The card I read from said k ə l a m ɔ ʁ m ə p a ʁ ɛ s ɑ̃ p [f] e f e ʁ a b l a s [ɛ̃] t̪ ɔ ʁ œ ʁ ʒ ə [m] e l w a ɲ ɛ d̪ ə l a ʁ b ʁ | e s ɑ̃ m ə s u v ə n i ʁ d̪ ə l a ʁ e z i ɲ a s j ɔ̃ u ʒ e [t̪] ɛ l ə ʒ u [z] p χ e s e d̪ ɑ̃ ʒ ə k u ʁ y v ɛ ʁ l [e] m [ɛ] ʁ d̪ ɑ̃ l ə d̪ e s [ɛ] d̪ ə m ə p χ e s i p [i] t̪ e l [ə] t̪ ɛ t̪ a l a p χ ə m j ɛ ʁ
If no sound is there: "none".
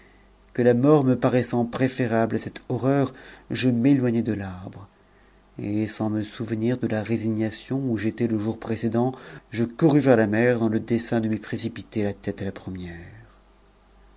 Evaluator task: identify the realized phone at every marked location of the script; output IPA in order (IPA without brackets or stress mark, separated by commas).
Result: χ, ɛ, m, t̪, ʁ, a, ɛ, ɛ̃, i, a